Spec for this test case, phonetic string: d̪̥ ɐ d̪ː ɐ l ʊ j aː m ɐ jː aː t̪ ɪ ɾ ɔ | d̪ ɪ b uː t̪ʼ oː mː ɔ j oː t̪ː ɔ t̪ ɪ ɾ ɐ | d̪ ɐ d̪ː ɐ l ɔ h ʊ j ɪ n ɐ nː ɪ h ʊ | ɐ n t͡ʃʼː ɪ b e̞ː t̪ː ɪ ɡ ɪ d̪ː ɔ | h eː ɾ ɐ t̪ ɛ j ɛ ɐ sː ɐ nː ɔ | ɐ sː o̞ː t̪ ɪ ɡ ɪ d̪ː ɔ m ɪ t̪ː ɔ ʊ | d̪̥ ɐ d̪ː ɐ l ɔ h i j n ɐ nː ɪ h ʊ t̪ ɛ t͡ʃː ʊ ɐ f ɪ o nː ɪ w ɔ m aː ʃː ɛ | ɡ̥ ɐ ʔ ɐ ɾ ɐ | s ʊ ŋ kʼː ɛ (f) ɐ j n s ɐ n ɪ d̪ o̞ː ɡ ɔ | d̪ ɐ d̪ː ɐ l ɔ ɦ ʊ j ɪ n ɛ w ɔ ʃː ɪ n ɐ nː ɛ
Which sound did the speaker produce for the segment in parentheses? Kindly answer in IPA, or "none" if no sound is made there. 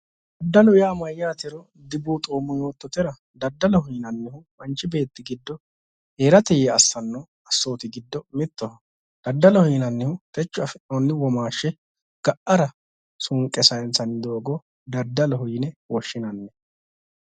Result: s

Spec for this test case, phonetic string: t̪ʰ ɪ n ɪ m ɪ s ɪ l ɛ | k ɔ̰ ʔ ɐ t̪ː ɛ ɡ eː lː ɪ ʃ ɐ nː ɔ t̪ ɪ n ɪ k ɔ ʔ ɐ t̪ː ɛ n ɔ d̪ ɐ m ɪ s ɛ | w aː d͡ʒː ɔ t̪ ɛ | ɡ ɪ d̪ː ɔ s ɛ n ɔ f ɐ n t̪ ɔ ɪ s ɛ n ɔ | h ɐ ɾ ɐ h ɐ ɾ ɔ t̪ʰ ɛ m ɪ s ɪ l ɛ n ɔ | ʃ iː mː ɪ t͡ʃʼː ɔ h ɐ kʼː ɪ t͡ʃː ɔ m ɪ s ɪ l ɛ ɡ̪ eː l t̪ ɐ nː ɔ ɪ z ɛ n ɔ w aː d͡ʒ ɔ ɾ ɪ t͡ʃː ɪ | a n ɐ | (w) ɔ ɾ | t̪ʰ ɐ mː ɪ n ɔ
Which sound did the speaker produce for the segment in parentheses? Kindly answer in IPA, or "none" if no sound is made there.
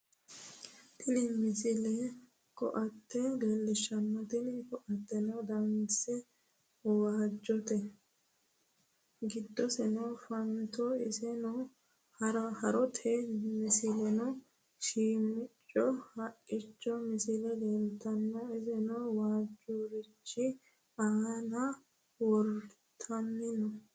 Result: w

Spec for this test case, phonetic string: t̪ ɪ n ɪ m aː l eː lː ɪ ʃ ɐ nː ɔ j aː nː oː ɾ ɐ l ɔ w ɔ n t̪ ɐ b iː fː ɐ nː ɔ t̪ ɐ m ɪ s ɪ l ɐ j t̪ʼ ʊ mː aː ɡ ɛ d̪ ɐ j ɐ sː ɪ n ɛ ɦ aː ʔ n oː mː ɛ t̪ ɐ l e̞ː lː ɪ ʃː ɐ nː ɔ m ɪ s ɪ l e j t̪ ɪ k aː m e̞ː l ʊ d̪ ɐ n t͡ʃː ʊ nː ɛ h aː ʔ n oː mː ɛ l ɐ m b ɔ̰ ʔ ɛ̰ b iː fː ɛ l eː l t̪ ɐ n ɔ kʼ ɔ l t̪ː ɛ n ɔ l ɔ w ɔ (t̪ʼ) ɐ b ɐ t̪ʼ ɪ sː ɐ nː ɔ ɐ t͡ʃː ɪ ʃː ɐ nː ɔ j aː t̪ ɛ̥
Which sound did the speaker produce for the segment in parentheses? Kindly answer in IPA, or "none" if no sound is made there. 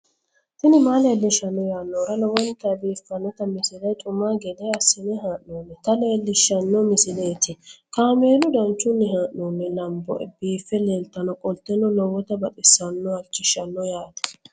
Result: t̪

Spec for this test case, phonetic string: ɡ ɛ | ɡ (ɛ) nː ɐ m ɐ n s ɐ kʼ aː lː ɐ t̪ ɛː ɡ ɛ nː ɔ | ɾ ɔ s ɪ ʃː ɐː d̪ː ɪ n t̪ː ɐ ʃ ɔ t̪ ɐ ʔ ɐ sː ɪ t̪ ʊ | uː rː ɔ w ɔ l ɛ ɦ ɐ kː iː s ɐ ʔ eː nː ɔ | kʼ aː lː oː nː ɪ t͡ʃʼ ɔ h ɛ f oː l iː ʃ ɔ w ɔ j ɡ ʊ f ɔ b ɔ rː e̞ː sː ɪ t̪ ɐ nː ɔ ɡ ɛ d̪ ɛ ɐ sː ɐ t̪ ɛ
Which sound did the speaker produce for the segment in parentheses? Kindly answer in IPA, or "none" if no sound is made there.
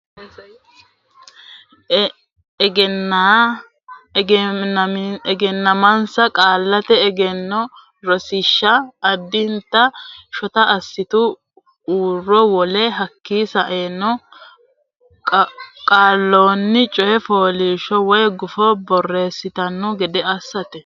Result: ɛ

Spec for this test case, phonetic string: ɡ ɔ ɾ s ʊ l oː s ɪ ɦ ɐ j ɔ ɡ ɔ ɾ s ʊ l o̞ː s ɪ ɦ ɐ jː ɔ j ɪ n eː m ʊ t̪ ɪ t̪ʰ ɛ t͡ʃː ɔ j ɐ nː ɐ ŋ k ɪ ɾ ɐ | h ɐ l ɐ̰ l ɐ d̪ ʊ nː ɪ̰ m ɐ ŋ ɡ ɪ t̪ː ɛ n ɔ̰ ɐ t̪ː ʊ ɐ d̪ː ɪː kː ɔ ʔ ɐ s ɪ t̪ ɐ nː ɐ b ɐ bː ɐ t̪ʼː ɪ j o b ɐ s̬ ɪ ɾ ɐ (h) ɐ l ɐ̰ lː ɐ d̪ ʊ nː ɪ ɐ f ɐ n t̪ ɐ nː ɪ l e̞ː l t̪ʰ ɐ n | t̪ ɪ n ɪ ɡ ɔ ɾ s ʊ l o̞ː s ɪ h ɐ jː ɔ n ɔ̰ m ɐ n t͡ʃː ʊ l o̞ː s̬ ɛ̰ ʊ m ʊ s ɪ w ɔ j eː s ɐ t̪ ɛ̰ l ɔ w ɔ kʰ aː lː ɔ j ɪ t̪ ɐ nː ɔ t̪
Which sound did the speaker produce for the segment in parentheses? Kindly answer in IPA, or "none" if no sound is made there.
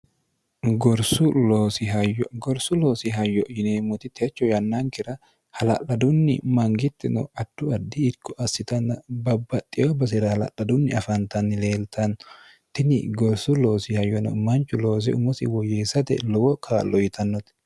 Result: h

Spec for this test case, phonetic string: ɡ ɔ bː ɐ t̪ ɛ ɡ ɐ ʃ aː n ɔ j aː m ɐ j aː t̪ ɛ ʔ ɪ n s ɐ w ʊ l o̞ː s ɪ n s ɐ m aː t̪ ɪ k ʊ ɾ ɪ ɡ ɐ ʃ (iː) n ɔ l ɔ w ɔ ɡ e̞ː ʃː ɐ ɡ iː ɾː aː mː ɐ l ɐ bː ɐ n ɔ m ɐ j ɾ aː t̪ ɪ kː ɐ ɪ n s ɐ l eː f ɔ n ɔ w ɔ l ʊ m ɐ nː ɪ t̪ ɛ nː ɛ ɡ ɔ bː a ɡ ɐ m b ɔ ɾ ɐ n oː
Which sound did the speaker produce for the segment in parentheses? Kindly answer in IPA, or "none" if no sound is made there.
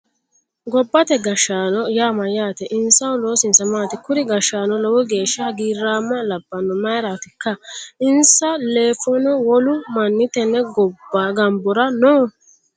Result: aː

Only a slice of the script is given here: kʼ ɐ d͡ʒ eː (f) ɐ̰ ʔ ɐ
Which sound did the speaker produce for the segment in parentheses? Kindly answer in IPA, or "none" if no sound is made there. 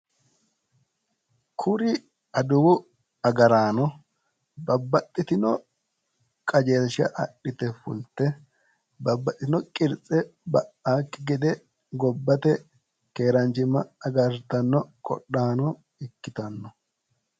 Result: ʃ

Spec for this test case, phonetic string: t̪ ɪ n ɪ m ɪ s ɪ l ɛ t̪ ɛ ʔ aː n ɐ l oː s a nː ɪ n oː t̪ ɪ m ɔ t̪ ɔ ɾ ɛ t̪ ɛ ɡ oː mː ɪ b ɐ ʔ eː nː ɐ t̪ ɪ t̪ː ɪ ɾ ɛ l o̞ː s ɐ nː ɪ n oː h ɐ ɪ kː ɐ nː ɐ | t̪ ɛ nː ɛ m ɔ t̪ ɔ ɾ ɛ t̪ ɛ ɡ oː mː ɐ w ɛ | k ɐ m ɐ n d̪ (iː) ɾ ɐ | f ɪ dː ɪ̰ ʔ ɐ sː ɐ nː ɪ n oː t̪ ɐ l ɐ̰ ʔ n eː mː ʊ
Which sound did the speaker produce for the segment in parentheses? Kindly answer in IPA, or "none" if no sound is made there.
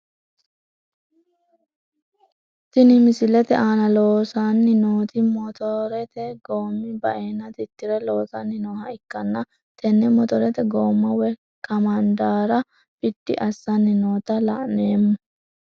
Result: aː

